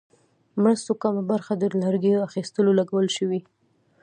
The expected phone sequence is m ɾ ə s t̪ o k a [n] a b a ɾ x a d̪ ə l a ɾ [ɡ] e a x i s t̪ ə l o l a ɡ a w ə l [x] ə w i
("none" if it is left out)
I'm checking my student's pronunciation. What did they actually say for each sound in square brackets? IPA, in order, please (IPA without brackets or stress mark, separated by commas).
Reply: m, ɡ, ʃ